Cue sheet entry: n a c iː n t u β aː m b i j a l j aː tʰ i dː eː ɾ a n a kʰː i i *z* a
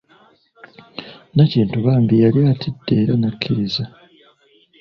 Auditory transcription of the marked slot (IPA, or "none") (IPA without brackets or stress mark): z